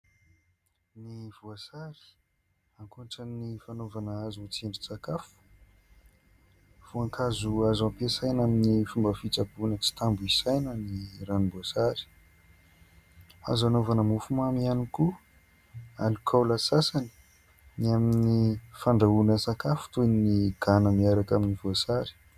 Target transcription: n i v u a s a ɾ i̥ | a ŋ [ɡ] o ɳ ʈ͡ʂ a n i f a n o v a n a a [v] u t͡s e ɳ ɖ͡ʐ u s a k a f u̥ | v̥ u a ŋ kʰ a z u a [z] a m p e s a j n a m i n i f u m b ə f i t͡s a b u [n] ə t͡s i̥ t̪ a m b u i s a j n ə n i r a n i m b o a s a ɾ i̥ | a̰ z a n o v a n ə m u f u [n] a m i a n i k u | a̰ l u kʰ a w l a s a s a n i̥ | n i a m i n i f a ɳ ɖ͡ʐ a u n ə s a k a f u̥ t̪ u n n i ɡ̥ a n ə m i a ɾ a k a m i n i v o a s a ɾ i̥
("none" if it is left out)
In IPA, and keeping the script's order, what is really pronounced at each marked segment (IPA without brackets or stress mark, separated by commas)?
k, z, z, n, m